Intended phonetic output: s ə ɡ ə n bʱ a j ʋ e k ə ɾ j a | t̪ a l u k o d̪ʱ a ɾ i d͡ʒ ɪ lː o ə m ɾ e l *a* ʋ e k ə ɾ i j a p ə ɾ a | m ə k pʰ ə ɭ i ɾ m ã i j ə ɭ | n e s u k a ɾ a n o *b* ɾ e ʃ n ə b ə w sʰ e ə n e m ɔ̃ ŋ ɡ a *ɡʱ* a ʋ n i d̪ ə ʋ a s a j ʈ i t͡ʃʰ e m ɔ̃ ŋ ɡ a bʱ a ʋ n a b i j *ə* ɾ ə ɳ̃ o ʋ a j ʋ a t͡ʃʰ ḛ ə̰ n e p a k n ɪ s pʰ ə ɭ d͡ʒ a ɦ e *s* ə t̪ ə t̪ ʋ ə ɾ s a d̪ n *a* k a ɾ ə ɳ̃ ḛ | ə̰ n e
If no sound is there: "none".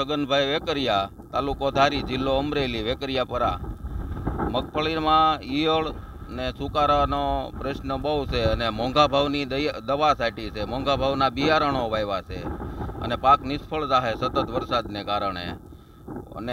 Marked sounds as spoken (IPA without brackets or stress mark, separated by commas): i, p, bʱ, a, s, e